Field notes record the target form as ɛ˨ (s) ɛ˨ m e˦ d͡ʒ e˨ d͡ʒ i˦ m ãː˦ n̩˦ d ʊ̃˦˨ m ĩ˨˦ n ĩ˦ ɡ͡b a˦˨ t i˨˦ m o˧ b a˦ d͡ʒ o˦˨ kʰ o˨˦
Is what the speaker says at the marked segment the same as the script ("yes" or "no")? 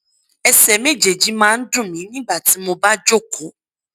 yes